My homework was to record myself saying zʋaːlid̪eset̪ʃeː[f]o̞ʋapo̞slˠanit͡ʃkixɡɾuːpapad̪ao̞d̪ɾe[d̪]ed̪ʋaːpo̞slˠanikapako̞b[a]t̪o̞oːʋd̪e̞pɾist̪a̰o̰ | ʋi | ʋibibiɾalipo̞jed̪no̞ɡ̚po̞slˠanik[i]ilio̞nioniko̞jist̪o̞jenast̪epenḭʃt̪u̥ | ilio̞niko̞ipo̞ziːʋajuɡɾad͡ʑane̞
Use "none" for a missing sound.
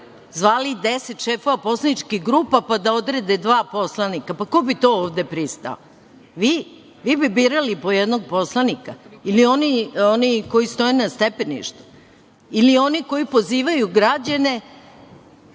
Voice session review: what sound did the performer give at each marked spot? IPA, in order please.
f, d̪, i, a

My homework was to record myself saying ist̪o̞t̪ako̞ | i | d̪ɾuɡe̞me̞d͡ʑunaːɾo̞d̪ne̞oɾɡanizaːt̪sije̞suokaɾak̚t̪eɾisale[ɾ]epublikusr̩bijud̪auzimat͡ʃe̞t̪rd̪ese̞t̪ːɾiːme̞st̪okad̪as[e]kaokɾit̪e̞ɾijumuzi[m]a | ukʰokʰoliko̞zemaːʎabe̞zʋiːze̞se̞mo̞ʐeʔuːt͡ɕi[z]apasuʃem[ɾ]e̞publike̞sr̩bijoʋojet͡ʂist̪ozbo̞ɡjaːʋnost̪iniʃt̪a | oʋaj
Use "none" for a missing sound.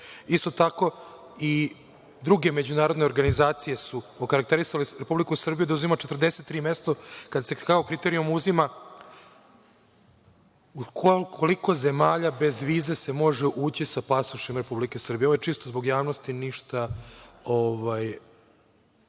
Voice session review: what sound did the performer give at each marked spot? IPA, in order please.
ɾ, e, m, s, ɾ

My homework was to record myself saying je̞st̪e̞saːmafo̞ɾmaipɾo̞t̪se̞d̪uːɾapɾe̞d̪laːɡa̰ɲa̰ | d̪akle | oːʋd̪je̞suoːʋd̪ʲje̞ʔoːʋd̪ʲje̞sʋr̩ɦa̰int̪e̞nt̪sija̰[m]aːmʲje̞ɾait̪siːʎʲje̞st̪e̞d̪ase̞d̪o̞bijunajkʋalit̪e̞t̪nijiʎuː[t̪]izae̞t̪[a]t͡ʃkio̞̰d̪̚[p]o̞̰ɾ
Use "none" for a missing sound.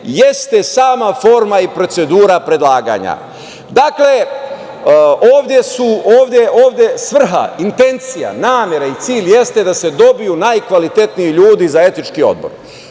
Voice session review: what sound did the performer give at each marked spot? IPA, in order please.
n, d̪, i, b

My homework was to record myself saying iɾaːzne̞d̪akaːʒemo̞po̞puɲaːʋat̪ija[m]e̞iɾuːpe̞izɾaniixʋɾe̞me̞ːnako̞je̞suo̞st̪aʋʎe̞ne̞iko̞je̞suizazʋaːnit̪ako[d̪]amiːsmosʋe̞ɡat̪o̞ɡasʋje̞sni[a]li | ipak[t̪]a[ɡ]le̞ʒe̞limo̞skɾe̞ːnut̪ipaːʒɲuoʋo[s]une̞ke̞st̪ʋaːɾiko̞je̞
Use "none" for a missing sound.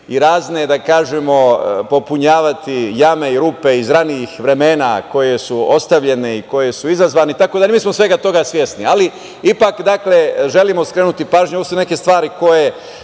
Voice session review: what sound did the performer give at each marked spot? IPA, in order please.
m, d̪, a, d̪, k, s

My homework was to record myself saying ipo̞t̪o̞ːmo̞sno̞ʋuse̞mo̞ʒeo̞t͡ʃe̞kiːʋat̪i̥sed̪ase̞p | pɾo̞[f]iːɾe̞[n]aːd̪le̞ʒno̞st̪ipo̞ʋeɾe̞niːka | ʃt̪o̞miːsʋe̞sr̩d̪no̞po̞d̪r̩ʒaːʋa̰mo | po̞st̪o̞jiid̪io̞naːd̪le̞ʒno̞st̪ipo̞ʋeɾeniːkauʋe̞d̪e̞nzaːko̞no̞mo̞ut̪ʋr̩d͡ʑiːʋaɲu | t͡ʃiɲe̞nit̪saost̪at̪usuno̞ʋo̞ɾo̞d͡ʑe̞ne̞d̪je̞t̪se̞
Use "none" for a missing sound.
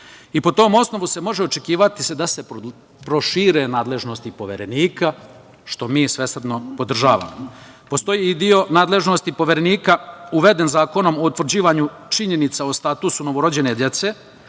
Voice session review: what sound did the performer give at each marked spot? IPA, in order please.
ʃ, n

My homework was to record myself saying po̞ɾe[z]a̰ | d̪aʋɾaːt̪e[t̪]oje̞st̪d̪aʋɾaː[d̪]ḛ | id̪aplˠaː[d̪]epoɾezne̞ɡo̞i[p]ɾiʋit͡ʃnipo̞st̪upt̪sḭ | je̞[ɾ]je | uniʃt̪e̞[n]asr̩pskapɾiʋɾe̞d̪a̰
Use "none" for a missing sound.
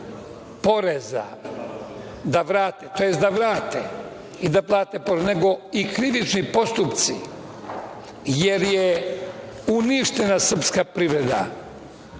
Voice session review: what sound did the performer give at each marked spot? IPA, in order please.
z, t̪, t̪, t̪, k, ɾ, n

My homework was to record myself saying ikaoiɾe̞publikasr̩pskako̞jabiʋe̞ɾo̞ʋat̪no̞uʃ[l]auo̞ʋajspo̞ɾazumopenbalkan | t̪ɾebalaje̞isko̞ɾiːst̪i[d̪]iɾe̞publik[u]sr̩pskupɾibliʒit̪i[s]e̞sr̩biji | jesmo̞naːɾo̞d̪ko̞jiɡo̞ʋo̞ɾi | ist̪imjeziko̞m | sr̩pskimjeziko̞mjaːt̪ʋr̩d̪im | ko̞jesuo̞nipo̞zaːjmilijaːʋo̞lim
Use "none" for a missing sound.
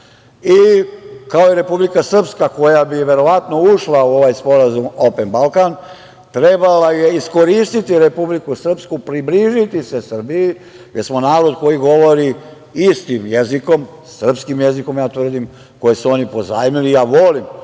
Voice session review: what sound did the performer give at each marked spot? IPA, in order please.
l, t̪, u, s

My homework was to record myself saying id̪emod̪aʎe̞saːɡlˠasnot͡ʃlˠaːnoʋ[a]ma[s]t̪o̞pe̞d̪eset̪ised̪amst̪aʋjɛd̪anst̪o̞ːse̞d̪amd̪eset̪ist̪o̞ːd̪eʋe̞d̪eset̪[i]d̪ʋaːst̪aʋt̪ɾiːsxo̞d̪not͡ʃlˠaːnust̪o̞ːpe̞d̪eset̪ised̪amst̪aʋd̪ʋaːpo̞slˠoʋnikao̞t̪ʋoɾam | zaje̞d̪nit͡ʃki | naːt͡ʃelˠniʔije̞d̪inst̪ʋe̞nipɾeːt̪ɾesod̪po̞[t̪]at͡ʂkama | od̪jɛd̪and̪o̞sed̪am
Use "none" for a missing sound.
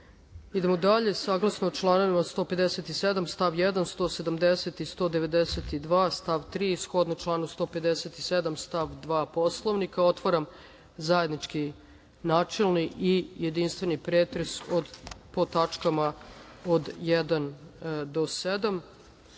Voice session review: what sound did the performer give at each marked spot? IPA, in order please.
i, s, i, t̪

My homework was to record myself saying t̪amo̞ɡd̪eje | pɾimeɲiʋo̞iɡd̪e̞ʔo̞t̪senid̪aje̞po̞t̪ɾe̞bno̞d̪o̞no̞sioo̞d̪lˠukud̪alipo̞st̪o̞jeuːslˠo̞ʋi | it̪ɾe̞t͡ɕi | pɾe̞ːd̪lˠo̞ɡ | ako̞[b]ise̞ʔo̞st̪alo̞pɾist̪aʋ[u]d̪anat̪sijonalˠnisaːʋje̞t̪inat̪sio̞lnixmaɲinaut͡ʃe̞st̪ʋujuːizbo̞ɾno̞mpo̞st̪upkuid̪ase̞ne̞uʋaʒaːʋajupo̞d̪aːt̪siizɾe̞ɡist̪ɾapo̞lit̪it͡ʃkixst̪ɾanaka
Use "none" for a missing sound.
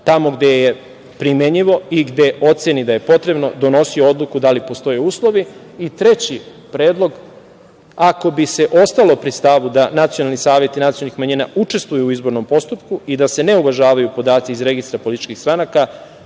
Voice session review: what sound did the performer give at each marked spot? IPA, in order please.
b, u

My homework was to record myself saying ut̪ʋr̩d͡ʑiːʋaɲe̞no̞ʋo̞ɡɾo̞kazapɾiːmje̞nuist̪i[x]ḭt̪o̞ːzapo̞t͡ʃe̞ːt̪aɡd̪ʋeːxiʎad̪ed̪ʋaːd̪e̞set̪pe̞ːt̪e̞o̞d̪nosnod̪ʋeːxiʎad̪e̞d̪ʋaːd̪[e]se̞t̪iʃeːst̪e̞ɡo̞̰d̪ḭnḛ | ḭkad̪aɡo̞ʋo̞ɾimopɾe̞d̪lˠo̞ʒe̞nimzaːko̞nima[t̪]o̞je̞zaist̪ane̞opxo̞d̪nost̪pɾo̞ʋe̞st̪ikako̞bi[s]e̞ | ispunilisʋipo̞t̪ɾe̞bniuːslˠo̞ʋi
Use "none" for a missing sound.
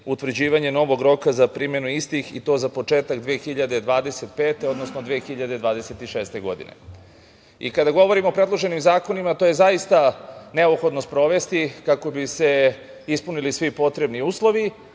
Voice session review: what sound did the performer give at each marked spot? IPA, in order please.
x, e, t̪, s

